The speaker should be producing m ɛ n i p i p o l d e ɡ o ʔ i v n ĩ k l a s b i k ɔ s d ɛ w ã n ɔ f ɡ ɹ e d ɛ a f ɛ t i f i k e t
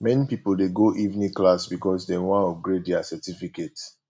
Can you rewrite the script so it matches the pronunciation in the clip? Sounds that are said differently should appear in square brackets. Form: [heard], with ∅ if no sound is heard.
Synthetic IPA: m ɛ n i p i p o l d e ɡ o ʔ i v n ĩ k l a s b i k ɔ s d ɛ w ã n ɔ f ɡ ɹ e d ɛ a [s] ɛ t i f i k e t